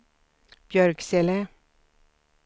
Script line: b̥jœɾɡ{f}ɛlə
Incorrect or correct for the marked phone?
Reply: incorrect: s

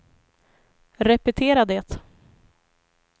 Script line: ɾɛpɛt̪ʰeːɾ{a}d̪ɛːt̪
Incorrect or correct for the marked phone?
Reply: correct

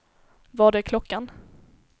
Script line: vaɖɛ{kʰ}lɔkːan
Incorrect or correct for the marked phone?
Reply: correct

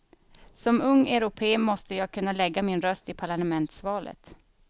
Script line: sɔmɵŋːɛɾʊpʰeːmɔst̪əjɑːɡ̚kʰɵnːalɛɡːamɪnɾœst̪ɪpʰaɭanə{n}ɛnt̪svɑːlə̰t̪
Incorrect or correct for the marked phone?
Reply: incorrect: m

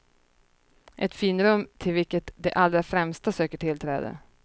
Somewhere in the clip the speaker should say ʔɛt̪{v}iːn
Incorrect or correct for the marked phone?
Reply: incorrect: f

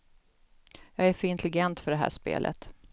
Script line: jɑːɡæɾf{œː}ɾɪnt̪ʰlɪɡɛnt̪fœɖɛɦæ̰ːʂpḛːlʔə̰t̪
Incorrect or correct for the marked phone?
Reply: incorrect: œ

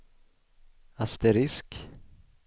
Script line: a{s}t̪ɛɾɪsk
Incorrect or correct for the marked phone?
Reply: correct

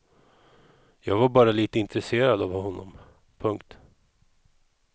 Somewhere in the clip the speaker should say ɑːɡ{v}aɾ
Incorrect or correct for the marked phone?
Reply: correct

